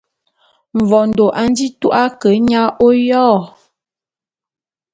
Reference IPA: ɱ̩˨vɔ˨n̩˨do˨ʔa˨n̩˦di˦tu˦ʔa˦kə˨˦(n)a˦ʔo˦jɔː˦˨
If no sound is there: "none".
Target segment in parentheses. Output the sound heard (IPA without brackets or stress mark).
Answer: ɲ